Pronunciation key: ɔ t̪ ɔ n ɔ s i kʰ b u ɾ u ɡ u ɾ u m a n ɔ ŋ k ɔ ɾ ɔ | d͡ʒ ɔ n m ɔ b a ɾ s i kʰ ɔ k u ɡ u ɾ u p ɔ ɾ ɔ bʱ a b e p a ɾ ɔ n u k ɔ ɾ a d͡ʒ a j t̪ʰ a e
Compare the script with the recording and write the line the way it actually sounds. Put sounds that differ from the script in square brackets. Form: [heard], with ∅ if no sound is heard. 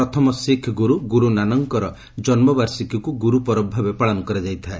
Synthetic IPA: ɔ [t̪ʰ] ɔ [m] ɔ s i kʰ [ɡ] u ɾ u ɡ u ɾ u [n] a n ɔ ŋ k ɔ ɾ ɔ | d͡ʒ ɔ n m ɔ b a ɾ s i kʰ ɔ k u ɡ u ɾ u p ɔ ɾ ɔ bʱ a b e p a [ɭ] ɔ n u k ɔ ɾ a d͡ʒ a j t̪ʰ a e